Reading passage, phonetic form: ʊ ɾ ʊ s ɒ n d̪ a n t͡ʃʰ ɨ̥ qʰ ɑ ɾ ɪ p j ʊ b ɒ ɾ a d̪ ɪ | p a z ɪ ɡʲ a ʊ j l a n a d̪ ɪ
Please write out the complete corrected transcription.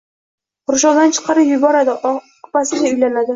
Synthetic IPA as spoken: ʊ ɾ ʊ ʃ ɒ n d̪ a n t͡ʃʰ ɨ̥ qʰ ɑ ɾ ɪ p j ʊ b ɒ ɾ a d̪ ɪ | p a s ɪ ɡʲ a ʊ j l a n a d̪ ɪ